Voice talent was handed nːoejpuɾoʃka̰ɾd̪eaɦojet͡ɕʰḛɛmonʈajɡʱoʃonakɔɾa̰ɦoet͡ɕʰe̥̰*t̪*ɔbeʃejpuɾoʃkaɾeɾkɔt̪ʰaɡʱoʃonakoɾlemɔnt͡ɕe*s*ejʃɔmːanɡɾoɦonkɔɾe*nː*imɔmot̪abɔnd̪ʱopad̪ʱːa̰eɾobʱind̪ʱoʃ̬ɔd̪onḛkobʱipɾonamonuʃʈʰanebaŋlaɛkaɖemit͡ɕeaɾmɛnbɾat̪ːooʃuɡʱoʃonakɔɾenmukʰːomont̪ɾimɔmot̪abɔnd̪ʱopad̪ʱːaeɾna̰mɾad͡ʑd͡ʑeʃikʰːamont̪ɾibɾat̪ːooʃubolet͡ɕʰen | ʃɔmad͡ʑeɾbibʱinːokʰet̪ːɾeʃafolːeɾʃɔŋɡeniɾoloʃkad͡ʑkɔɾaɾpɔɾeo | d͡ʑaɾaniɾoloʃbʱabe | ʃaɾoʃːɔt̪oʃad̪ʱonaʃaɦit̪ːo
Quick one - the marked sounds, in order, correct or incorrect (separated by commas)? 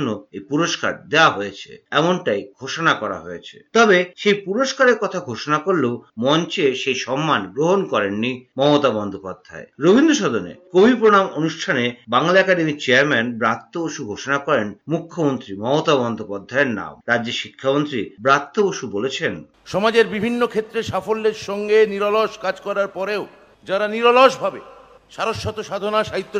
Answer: correct, incorrect, correct